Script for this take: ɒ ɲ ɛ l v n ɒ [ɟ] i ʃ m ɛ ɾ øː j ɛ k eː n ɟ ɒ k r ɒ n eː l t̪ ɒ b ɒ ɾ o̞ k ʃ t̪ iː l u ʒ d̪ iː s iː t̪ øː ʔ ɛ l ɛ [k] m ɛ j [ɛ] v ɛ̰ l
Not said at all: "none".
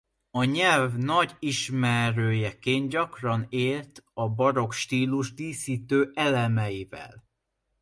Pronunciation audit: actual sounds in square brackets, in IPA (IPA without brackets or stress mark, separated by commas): ɟ, none, i